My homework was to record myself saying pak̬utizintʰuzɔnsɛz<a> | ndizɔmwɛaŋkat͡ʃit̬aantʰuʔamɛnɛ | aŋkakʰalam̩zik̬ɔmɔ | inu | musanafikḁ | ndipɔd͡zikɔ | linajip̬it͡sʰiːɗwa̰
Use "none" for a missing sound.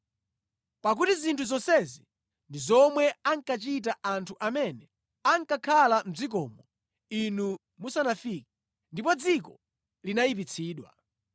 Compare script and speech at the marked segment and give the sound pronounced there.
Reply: i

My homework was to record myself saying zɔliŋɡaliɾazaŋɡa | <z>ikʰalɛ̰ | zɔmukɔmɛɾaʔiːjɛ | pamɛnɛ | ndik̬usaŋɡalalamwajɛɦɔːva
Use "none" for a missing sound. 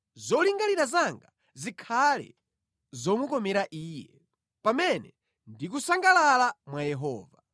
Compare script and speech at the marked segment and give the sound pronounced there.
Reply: z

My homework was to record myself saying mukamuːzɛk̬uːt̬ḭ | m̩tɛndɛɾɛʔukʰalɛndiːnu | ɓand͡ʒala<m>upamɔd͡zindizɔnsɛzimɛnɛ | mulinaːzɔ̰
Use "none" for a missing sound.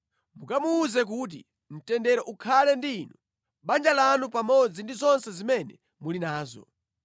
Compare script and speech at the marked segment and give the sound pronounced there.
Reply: n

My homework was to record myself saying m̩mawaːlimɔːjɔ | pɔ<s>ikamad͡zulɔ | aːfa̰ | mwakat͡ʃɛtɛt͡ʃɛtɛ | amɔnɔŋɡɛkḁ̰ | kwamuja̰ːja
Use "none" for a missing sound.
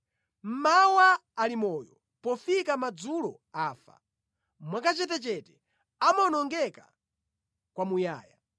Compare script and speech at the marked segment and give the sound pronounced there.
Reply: f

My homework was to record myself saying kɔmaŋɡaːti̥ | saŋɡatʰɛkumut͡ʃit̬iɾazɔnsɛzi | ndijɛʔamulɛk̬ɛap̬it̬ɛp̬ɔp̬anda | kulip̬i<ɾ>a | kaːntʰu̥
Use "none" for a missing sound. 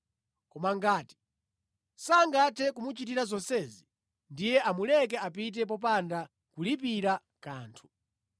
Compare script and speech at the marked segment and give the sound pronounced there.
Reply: ɾ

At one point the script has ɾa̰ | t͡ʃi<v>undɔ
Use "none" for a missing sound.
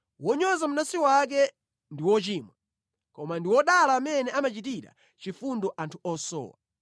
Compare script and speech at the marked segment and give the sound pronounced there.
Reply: f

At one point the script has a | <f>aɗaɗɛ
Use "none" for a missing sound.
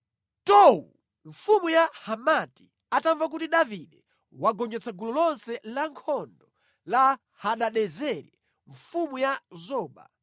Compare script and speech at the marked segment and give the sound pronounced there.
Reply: h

